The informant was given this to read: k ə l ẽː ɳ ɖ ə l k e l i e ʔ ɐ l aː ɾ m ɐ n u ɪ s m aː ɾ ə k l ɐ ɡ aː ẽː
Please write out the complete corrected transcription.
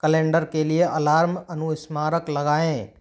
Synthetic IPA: k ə l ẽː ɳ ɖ ə ɾ k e l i e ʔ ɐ l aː ɾ m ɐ n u ɪ s m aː ɾ ə k l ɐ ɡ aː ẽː